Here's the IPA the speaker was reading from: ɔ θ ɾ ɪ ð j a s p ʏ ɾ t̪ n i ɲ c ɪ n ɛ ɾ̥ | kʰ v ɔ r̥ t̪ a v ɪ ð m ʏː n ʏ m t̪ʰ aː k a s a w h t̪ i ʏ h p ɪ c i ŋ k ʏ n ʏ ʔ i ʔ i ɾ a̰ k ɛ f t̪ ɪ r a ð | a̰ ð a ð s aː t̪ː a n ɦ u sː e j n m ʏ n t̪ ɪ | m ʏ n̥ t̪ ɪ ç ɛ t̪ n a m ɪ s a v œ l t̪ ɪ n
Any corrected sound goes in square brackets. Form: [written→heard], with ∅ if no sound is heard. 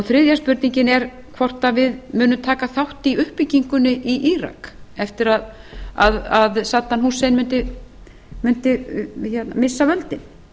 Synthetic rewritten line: ɔ θ ɾ ɪ ð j a s p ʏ ɾ t̪ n i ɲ c ɪ n ɛ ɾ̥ | kʰ v ɔ r̥ t̪ a v ɪ ð m ʏː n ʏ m t̪ʰ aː k a [s→θ] a w h t̪ i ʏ h p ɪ c i ŋ k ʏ n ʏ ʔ i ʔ i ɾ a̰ k ɛ f t̪ ɪ [r→ɾ] a ð | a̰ ð a ð s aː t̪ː a n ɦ u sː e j n m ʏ n t̪ ɪ | m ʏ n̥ t̪ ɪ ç ɛ t̪ n a m ɪ [s→sː] a v œ l t̪ ɪ n